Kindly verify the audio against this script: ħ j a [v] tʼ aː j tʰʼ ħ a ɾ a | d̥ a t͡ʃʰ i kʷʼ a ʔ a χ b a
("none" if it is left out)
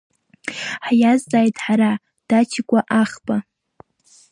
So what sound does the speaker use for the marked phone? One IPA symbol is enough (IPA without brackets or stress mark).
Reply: z